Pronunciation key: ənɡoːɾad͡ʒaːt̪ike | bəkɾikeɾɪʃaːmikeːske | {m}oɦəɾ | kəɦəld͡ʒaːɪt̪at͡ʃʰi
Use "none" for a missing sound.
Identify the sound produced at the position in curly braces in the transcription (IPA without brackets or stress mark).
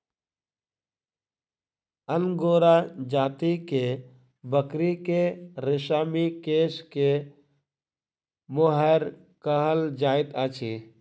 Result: m